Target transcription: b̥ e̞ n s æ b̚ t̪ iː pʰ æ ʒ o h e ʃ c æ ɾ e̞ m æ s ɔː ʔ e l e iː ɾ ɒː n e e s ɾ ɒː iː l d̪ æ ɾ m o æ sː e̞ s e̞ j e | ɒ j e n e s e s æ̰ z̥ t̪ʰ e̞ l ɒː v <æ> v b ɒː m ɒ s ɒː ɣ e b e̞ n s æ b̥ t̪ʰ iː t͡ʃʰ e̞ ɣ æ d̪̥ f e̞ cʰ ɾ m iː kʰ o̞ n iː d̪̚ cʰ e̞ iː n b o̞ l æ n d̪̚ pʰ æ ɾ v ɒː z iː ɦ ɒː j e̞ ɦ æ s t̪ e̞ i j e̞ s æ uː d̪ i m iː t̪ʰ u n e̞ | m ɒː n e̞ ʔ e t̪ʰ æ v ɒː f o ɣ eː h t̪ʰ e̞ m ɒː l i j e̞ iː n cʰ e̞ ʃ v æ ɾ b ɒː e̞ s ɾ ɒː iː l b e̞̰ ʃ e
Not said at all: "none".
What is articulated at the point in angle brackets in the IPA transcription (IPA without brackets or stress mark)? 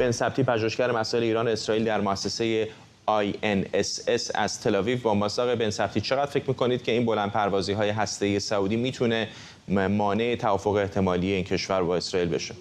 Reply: i